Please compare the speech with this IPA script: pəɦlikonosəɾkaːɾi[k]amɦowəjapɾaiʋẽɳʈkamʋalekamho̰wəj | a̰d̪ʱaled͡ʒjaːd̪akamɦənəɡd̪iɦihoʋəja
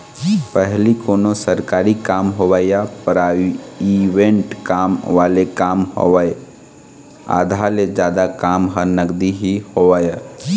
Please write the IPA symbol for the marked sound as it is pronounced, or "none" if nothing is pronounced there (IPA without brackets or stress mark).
k